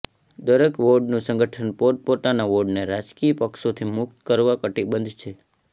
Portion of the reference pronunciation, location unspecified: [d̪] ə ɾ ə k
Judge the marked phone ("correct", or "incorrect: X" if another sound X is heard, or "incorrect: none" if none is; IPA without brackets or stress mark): correct